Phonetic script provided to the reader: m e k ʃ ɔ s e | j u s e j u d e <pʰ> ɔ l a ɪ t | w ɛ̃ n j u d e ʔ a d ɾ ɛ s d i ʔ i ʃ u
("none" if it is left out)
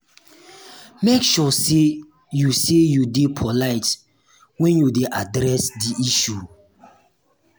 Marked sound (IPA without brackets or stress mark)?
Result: pʰ